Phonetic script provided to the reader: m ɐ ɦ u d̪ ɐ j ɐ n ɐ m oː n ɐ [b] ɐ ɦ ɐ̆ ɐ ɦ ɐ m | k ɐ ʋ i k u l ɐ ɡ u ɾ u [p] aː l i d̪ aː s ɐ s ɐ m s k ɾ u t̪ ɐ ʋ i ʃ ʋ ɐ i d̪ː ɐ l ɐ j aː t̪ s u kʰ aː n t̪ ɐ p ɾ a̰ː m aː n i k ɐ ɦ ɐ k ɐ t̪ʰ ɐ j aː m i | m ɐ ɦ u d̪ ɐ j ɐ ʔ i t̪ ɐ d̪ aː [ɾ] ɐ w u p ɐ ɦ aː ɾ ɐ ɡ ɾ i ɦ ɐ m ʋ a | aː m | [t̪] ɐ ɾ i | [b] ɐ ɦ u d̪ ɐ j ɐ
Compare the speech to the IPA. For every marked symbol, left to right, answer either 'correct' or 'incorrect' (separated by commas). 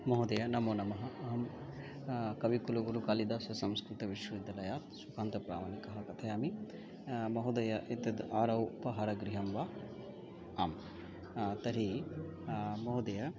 incorrect, incorrect, correct, correct, incorrect